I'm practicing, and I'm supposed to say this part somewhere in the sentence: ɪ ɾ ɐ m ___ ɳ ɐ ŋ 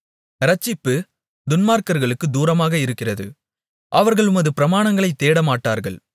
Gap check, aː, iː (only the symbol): aː